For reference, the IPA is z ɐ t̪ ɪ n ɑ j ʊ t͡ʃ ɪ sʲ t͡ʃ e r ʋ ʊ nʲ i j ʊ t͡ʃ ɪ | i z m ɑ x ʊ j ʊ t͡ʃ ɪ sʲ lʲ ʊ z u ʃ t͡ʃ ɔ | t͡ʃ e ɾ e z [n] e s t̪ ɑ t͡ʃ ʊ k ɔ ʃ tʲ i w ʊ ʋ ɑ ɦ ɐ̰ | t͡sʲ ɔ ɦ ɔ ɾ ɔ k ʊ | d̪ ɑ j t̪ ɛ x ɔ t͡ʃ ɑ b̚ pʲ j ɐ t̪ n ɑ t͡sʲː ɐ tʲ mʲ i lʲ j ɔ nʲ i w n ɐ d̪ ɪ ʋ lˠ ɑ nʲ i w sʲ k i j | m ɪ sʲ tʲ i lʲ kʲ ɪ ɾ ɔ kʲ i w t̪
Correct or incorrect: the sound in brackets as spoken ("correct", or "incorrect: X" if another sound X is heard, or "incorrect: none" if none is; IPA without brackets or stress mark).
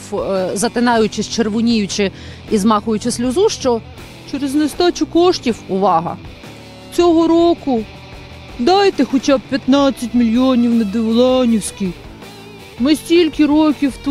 correct